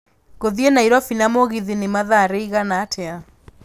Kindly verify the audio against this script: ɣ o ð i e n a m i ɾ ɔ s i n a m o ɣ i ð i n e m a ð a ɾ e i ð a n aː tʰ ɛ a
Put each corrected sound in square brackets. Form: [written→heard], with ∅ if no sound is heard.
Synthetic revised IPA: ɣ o ð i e n a [m→∅] i ɾ ɔ [s→f] i n a m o ɣ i ð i n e m a ð a ɾ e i [ð→ɣ] a n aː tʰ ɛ a